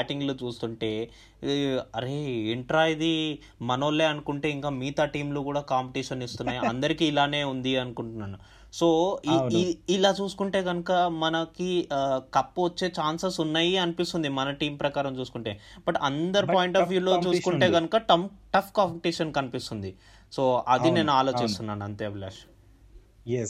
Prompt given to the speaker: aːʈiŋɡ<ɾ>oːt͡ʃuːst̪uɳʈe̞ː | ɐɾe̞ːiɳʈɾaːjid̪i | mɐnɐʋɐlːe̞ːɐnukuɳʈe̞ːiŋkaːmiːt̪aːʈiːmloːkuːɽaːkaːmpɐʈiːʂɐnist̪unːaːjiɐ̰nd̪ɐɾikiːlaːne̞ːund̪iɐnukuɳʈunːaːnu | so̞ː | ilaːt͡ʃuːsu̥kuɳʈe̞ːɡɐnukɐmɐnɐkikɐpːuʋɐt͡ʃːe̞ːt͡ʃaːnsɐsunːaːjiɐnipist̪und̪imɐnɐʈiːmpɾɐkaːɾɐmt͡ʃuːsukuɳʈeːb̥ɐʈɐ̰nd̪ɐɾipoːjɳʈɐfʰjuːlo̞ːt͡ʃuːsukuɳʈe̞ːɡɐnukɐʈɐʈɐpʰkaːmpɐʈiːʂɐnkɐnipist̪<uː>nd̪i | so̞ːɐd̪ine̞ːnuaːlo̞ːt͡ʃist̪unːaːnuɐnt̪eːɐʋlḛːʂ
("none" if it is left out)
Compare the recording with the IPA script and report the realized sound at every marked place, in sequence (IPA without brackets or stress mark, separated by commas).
l, u